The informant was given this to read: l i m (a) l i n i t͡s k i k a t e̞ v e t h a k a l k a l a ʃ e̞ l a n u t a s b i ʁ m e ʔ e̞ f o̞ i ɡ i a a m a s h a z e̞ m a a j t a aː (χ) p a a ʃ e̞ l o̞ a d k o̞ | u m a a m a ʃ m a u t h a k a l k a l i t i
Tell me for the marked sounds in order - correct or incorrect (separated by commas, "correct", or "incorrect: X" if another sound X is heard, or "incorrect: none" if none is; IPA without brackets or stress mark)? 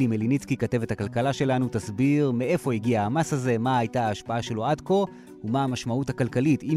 incorrect: e, incorrect: ʃ